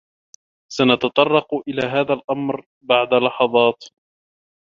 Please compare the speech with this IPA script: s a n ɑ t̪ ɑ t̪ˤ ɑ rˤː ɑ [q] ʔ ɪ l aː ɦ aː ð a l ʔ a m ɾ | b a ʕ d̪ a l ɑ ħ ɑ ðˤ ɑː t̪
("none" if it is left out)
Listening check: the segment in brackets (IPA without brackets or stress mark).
q